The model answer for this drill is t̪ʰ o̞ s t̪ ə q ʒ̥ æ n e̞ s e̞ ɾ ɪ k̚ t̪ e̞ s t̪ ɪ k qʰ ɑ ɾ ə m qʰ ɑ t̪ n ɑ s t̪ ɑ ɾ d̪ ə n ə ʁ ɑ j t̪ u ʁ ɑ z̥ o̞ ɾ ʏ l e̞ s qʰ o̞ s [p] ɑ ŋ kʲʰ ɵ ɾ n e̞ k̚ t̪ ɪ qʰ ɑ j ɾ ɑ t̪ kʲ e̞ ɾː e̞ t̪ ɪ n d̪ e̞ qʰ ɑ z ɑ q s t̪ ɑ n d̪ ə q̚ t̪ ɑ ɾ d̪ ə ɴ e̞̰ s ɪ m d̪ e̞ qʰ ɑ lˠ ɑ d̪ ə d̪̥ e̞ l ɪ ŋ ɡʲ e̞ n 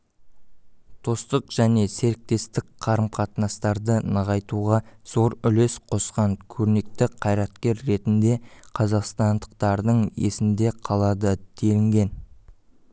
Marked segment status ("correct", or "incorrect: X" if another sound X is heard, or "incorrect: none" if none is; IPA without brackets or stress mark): incorrect: q